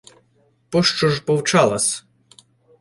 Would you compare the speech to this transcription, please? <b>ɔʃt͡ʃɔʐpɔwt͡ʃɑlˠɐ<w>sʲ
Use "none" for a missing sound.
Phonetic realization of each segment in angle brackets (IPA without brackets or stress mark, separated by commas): p, none